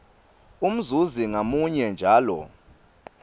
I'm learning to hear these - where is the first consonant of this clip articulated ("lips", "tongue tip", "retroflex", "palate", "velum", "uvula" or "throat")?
lips